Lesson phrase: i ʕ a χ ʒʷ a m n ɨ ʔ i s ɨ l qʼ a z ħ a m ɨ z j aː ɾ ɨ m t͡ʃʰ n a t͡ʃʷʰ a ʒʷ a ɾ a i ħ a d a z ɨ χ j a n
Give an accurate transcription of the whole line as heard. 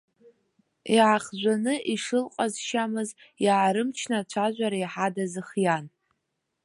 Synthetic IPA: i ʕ a χ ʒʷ a n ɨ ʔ i ʂ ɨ l qʼ a z ʃ a m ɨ z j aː ɾ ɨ m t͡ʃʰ n a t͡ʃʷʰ a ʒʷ a ɾ a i ħ a d a z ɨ χ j a n